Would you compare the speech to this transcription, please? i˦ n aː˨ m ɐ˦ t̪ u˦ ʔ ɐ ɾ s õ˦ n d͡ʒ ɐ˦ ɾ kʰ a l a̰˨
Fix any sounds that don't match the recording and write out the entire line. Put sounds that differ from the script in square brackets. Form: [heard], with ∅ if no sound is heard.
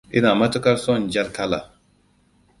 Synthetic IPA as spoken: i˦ n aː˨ m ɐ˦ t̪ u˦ [k] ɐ ɾ s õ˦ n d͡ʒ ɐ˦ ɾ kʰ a l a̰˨